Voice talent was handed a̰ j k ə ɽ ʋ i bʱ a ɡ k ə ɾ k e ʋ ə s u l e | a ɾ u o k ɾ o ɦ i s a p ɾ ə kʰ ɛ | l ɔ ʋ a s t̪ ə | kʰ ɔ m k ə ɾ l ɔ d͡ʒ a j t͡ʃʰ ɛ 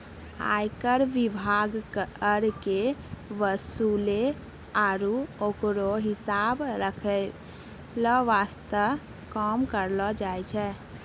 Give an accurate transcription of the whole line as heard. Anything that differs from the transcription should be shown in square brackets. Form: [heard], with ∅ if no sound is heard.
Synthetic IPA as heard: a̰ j k ə [ɾ] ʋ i bʱ a ɡ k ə ɾ k e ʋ ə s u l e | a ɾ u o k ɾ o ɦ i s a [b] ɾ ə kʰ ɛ | l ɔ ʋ a s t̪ ə | [k] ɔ m k ə ɾ l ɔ d͡ʒ a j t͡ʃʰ ɛ

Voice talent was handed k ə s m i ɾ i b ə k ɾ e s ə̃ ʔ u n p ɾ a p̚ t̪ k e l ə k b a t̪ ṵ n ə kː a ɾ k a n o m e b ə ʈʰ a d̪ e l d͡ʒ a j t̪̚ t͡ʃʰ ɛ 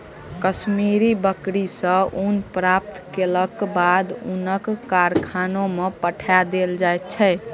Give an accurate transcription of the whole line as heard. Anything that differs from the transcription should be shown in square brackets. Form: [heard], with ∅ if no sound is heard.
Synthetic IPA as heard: k ə s m i ɾ i b ə k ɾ [i] s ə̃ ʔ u n p ɾ a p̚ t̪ k e l ə k b a [d̪] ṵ n ə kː a ɾ [kʰ] a n o m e [p] ə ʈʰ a d̪ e l d͡ʒ a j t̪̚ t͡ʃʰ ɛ

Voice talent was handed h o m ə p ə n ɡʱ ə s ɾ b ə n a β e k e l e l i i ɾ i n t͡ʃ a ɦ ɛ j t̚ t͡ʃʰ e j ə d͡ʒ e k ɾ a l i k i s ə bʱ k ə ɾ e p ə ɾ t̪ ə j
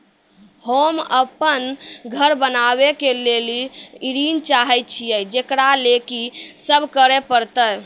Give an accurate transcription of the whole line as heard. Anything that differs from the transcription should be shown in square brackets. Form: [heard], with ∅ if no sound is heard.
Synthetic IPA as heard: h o m ə p ə n ɡʱ ə [∅] ɾ b ə n a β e k e l e l i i ɾ i n t͡ʃ a ɦ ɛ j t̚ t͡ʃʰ [i] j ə d͡ʒ e k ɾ a l [e] k i s ə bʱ k ə ɾ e p ə ɾ t̪ ə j

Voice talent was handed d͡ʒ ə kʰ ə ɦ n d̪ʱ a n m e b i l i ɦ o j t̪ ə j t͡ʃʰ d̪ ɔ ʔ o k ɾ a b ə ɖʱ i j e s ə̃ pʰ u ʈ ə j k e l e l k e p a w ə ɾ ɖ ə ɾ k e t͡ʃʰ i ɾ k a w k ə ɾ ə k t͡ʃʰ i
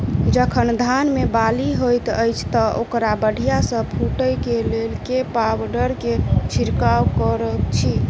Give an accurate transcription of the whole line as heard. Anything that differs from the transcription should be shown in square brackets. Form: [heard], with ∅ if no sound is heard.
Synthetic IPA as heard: d͡ʒ ə kʰ ə [∅] n d̪ʱ a n m e b [a] l i ɦ o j t̪ ə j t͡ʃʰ [t̪] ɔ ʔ o k ɾ a b ə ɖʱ i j [a] s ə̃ pʰ u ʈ ə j k e l e l k e p a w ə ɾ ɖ ə ɾ k e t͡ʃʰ i ɾ k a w k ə ɾ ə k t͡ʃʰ i

